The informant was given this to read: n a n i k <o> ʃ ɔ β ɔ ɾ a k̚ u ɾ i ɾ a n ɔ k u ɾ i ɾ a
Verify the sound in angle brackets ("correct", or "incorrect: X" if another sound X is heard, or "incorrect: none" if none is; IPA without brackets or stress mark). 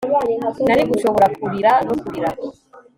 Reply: incorrect: u